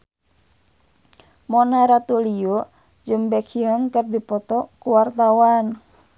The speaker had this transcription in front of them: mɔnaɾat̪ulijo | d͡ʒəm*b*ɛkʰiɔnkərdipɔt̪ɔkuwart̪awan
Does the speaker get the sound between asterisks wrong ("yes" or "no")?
no